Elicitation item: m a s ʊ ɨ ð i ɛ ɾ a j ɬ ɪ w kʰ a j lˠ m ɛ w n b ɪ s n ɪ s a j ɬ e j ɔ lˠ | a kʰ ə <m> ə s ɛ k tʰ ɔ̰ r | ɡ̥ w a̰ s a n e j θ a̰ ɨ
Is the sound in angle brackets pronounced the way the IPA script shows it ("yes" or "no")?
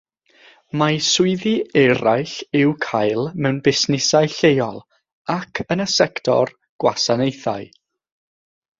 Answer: no